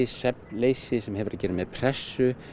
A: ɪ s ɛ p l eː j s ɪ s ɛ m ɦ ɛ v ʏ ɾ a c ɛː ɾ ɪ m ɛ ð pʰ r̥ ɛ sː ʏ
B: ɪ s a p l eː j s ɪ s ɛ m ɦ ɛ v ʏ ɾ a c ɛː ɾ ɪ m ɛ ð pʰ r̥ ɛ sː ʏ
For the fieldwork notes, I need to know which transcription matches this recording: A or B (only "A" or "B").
A